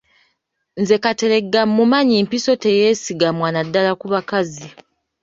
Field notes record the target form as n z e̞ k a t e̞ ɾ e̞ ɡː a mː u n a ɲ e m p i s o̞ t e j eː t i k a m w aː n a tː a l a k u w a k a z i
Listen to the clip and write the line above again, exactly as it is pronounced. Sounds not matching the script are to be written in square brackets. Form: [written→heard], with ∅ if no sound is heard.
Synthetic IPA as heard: n z e̞ k a t e̞ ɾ e̞ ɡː a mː u [n→m] a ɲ [e→i] m p i s o̞ t e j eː [t→s] i [k→ɡ] a m w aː n a [tː→dː] a l a k u [w→β] a k a z i